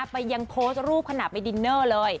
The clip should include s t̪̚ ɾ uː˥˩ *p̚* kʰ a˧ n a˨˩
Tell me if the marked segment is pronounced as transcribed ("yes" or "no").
yes